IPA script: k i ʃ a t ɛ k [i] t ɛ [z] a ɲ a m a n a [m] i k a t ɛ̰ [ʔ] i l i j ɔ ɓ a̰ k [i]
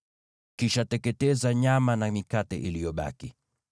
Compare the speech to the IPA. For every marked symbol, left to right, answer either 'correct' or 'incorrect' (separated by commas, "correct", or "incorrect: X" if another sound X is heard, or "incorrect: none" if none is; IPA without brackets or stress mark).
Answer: incorrect: ɛ, correct, correct, correct, correct